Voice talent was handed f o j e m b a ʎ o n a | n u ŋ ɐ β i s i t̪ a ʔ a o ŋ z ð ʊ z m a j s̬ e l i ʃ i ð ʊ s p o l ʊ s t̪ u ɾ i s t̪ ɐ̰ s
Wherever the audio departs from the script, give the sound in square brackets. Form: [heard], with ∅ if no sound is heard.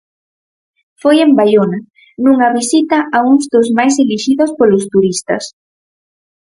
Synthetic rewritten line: f o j e m b a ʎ o n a | n u ŋ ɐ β i s i t̪ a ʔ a [u] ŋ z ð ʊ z m a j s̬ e l i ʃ i ð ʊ s p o l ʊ s t̪ u ɾ i s t̪ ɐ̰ s